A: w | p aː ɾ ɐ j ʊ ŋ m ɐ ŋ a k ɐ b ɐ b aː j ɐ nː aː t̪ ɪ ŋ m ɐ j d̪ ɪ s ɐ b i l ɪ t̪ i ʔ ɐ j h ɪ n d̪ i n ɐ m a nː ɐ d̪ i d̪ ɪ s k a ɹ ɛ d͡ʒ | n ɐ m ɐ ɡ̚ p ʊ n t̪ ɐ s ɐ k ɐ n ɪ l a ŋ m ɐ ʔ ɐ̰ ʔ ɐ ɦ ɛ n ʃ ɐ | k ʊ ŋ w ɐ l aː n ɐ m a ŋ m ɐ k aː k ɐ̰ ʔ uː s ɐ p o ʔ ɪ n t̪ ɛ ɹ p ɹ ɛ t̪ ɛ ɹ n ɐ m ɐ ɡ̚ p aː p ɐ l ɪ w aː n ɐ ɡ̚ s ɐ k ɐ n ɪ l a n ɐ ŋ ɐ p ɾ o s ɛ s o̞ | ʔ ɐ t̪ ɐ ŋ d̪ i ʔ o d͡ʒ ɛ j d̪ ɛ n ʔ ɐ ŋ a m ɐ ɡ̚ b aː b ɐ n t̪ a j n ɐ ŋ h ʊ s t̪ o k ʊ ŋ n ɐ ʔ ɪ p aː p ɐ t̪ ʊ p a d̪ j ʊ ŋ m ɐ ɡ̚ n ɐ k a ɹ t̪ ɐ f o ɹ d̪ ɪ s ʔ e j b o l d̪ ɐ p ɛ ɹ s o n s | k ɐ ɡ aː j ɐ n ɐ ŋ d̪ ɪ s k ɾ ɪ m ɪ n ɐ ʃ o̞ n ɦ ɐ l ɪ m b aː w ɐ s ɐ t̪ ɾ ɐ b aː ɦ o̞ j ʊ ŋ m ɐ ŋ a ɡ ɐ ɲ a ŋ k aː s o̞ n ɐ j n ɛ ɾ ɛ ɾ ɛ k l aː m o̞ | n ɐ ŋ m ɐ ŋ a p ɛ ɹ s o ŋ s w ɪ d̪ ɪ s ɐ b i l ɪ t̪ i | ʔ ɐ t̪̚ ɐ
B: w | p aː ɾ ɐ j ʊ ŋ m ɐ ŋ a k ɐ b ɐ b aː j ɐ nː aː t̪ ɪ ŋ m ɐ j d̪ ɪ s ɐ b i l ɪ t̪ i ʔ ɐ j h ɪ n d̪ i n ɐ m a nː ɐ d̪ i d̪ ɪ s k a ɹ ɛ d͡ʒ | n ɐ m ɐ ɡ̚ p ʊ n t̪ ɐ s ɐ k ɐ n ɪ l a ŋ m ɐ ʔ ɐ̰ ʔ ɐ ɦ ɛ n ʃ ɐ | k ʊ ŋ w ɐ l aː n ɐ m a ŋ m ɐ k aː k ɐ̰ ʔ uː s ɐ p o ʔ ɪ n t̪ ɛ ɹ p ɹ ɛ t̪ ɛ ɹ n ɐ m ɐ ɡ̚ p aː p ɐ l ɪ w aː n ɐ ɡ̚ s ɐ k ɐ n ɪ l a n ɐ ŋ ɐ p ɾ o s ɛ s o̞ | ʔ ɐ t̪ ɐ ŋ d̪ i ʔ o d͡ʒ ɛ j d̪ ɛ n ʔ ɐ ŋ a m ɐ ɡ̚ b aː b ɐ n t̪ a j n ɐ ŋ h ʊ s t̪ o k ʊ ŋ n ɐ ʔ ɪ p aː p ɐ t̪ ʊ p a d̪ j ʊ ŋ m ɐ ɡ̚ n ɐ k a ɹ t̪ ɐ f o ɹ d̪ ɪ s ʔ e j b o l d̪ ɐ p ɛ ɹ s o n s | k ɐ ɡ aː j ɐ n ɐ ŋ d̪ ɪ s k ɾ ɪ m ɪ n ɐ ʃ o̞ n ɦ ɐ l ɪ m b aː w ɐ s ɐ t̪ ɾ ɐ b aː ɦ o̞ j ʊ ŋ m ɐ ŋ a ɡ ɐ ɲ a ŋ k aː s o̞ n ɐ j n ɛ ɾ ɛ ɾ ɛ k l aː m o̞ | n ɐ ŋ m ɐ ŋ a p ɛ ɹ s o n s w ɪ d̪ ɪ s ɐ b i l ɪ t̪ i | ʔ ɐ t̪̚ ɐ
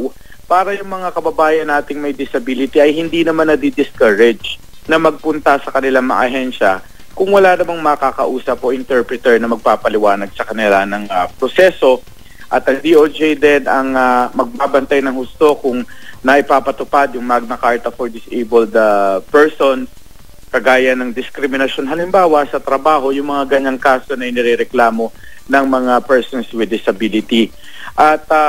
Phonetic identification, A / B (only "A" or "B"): B